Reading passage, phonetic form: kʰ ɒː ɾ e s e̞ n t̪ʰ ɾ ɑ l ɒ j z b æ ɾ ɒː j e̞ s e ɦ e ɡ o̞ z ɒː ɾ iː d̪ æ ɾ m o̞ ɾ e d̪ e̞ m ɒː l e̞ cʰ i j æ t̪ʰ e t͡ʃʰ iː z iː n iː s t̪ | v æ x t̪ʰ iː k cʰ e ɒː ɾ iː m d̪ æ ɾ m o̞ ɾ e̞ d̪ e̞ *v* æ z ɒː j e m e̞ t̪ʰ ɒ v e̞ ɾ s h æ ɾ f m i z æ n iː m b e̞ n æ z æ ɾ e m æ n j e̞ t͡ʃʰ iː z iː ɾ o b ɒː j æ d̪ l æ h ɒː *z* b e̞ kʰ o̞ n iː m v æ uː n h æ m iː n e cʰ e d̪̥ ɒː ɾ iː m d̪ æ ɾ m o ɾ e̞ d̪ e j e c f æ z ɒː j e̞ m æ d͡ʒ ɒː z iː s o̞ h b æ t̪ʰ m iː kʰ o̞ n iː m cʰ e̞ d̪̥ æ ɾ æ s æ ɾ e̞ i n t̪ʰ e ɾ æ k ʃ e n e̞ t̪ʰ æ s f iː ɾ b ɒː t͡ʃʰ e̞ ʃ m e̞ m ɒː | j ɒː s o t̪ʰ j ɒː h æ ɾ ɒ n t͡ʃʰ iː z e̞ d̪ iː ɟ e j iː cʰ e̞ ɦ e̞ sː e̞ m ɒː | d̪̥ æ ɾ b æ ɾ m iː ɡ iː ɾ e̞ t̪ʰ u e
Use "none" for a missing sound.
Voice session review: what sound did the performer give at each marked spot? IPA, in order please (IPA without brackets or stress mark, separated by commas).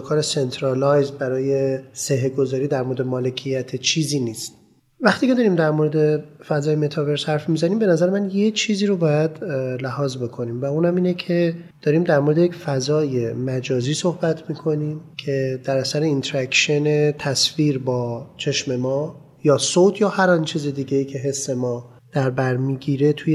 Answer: f, z